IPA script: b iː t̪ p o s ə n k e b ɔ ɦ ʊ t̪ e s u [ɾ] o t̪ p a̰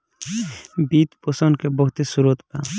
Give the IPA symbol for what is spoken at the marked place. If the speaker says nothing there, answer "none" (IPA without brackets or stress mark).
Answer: ɾ